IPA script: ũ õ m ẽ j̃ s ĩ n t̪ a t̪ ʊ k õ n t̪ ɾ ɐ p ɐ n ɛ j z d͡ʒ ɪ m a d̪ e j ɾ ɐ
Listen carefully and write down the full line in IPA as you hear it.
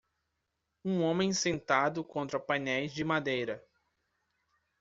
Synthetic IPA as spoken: ũ õ m ẽ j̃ s ẽ n t̪ a d̪ ʊ k õ n t̪ ɾ ɐ p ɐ n ɛ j z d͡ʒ ɪ m a d̪ e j ɾ ɐ